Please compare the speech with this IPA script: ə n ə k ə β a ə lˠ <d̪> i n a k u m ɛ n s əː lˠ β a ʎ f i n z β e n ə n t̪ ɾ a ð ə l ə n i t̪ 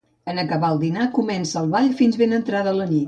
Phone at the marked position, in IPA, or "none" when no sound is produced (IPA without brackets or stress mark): d̪